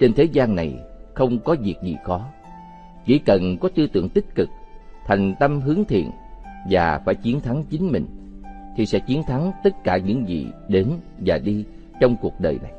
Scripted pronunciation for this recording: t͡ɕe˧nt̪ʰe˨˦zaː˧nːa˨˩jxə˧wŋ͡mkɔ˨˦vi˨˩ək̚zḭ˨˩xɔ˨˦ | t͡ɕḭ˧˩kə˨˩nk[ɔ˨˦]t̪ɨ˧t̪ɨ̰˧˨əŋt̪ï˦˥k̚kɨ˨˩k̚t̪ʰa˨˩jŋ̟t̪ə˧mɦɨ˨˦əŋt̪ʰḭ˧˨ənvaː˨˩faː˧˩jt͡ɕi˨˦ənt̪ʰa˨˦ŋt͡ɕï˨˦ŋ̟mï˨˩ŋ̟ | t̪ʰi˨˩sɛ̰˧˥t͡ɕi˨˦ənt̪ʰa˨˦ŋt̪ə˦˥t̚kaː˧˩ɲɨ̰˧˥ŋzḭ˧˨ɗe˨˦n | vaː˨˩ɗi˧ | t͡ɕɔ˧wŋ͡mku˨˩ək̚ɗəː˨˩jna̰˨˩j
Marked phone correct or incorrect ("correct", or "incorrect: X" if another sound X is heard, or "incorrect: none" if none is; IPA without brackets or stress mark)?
correct